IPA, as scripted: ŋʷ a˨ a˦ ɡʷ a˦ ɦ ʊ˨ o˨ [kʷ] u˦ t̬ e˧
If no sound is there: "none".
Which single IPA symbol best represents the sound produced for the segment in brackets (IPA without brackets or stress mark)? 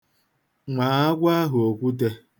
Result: kʷ